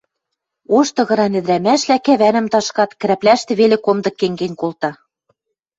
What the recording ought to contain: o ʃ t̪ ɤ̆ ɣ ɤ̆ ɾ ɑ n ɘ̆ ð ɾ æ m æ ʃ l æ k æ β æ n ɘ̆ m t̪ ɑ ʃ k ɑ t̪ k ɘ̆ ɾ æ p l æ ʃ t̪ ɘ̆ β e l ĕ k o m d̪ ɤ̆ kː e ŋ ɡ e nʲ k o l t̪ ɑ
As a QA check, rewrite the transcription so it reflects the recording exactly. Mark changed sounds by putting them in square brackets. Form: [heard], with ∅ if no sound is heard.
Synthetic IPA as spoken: o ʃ t̪ ɤ̆ ɣ ɤ̆ ɾ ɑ n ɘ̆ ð ɾ æ m æ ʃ l æ k æ β æ n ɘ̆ m t̪ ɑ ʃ k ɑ t̪ k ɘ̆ ɾ æ p l æ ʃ t̪ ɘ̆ β e l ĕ k o m d̪ ɤ̆ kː e ŋ ɡ e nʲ k o l t̪ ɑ